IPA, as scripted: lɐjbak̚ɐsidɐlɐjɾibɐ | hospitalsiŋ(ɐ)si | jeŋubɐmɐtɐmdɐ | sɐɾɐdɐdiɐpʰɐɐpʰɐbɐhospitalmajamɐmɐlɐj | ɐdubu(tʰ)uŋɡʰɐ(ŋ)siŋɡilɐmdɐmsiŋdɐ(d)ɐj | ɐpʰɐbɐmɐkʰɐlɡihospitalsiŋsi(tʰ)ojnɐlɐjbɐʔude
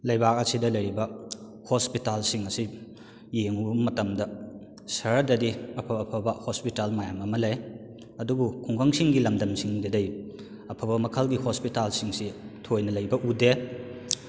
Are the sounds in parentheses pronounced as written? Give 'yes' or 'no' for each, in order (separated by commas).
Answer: yes, no, yes, yes, yes